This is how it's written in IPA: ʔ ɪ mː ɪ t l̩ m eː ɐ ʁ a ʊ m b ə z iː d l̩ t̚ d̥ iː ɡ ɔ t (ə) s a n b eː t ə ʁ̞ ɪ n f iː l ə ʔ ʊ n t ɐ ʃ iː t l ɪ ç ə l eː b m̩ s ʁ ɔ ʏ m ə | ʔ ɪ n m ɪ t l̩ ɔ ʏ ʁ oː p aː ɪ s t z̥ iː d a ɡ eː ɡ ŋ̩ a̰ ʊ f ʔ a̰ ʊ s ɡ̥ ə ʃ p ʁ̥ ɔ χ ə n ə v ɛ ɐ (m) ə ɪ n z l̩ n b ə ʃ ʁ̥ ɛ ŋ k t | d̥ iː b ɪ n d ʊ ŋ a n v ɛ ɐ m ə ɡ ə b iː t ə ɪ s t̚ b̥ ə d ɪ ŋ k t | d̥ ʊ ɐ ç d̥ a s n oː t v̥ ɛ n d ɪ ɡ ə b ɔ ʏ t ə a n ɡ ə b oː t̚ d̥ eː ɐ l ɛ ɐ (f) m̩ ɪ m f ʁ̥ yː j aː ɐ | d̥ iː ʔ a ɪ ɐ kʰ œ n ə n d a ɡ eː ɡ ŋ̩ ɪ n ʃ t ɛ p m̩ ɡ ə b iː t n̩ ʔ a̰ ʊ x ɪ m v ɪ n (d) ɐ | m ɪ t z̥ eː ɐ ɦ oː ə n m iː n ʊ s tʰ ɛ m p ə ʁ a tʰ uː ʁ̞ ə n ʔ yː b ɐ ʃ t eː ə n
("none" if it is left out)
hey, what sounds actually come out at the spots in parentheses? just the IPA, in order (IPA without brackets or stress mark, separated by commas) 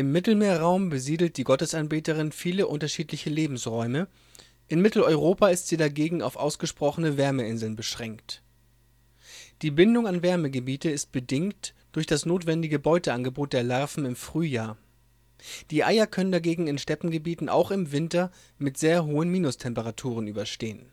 ə, m, f, t